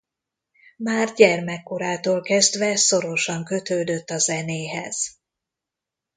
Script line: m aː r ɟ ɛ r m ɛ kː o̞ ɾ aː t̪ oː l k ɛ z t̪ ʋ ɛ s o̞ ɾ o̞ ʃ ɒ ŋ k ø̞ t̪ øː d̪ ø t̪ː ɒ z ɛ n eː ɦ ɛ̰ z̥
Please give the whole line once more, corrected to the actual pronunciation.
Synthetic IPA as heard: m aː r ɟ ɛ r m ɛ kː o̞ ɾ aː t̪ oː l k ɛ z d̪ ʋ ɛ s o̞ ɾ o̞ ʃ ɒ ŋ k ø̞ t̪ øː d̪ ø t̪ː ɒ z ɛ n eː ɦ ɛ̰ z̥